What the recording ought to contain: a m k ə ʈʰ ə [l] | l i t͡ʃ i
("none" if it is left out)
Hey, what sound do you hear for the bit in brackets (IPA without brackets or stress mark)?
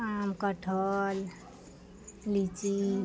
l